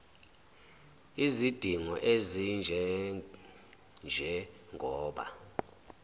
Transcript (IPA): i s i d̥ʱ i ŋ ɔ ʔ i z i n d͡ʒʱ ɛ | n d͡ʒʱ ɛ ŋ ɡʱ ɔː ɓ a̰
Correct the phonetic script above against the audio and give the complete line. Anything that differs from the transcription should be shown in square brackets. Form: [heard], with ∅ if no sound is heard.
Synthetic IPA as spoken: i [z] i d̥ʱ i ŋ ɔ ʔ [e] z i n d͡ʒʱ ɛ | n d͡ʒʱ ɛ ŋ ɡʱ ɔː ɓ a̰